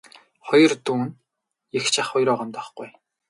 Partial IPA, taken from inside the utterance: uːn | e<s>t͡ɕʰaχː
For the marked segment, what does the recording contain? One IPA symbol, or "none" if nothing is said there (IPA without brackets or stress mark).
x